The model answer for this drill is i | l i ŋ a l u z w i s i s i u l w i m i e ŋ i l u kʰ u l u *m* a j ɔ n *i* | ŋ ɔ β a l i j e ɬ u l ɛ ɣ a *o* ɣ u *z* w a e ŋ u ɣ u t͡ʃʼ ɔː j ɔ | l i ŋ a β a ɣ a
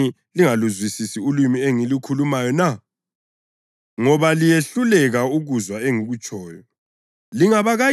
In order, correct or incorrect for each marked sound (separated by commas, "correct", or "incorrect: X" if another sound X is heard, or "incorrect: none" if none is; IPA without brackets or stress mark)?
correct, incorrect: a, incorrect: u, correct